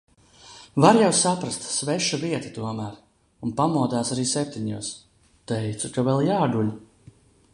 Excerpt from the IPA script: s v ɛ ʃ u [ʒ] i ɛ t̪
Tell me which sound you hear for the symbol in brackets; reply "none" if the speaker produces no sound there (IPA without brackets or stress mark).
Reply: v